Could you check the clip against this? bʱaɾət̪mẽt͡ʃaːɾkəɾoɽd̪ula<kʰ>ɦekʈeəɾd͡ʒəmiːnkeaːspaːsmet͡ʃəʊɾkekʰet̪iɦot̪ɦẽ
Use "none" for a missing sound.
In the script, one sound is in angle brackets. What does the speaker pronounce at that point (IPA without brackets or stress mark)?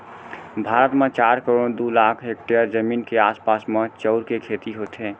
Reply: kʰ